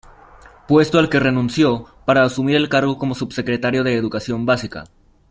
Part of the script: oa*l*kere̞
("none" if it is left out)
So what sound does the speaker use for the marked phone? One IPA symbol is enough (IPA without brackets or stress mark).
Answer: l